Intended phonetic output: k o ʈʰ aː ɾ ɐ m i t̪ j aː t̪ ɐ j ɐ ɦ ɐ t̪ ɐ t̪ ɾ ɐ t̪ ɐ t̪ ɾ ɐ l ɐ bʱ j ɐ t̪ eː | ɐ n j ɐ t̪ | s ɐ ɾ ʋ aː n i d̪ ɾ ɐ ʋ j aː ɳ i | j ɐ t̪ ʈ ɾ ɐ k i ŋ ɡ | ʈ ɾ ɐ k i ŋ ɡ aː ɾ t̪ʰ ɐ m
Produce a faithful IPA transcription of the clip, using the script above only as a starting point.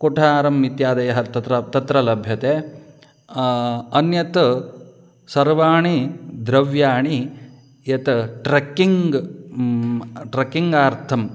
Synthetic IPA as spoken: k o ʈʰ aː ɾ ɐ m i t̪ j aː d̪ ɐ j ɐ ɦ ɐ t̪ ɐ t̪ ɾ ɐ t̪ ɐ t̪ ɾ ɐ l ɐ bʱ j ɐ t̪ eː | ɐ n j ɐ t̪ | s ɐ ɾ ʋ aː ɳ i d̪ ɾ ɐ ʋ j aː ɳ i | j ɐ t̪ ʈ ɾ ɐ k i ŋ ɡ | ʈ ɾ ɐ k i ŋ ɡ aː ɾ t̪ʰ ɐ m